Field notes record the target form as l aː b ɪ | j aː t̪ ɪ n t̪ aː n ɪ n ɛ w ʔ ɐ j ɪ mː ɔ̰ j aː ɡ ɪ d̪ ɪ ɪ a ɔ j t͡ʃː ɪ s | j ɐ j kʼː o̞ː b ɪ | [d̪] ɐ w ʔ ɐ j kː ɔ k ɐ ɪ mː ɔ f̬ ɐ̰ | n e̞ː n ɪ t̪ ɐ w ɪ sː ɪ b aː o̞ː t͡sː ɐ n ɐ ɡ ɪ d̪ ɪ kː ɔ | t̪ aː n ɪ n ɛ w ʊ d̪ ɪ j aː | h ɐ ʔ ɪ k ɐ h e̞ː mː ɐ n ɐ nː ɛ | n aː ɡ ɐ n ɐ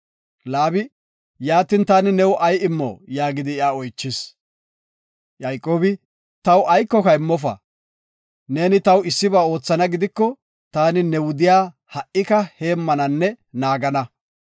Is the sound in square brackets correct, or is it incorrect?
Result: incorrect